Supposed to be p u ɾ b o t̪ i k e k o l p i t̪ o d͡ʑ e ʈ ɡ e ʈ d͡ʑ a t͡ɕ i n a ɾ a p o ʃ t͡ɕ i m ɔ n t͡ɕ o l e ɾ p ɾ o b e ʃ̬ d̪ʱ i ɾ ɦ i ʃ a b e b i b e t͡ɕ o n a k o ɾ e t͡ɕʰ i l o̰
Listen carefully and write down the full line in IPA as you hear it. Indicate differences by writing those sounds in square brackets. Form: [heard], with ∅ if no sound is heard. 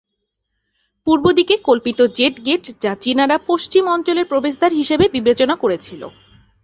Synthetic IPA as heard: p u ɾ b o [d̪] i k e k o l p i t̪ o d͡ʑ e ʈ ɡ e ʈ d͡ʑ a t͡ɕ i n a ɾ a p o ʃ t͡ɕ i m ɔ n t͡ɕ o l e ɾ p ɾ o b e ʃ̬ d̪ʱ [a] ɾ ɦ i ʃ [e] b e b i b e t͡ɕ o n a k o ɾ e t͡ɕʰ i l o̰